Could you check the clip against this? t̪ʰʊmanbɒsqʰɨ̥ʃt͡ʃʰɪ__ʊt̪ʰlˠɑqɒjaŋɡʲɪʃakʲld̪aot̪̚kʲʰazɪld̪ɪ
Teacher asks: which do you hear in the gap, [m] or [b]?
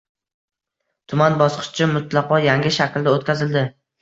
m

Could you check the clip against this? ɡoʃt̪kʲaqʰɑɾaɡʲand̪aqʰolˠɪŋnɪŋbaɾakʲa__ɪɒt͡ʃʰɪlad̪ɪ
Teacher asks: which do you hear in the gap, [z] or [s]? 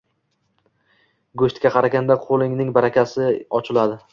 s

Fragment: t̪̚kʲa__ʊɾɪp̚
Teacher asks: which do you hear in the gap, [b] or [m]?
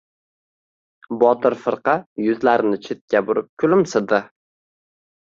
b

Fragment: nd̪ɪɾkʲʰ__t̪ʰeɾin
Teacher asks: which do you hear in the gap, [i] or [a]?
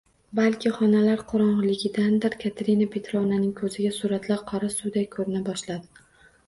a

